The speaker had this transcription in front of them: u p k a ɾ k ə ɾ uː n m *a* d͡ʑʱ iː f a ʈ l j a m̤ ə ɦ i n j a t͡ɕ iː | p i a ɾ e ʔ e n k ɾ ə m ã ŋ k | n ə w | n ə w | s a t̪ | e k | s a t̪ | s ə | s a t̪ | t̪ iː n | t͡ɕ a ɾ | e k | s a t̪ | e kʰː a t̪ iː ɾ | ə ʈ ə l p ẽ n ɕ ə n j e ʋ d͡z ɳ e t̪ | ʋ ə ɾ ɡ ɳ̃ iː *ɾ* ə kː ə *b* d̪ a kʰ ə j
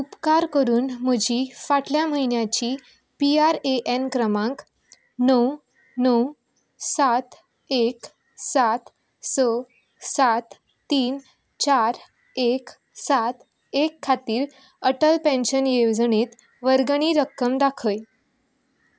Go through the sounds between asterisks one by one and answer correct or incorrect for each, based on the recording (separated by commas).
incorrect, correct, incorrect